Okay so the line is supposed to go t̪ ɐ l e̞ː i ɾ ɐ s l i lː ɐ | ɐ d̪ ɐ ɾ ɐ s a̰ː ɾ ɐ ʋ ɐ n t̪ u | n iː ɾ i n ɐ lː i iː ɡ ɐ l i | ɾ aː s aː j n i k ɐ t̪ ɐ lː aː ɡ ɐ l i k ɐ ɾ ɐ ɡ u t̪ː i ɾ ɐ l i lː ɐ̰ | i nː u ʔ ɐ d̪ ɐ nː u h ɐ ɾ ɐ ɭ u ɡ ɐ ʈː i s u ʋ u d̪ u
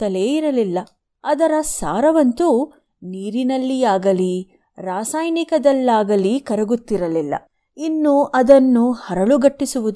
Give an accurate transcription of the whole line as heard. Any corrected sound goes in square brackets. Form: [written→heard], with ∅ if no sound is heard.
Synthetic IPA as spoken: t̪ ɐ l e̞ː i ɾ ɐ [s→∅] l i lː ɐ | ɐ d̪ ɐ ɾ ɐ s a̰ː ɾ ɐ ʋ ɐ n t̪ u | n iː ɾ i n ɐ lː i [iː→aː] ɡ ɐ l i | ɾ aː s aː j n i k ɐ [t̪→d̪] ɐ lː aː ɡ ɐ l i k ɐ ɾ ɐ ɡ u t̪ː i ɾ ɐ l i lː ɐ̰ | i nː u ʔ ɐ d̪ ɐ nː u h ɐ ɾ ɐ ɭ u ɡ ɐ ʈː i s u ʋ u d̪ u